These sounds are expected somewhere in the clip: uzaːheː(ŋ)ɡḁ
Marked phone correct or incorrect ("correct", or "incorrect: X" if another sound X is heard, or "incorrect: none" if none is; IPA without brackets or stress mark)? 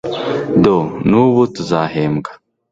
incorrect: m